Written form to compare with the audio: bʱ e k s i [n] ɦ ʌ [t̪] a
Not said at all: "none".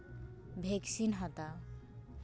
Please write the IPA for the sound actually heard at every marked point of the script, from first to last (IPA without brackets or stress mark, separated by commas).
n, t̪